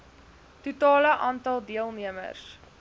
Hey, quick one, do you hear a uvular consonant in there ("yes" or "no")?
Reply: no